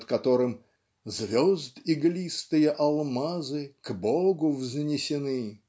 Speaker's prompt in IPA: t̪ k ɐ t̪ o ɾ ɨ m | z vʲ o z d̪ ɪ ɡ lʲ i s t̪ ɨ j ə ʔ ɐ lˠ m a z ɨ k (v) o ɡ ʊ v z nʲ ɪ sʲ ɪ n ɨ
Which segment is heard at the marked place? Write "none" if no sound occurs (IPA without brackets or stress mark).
b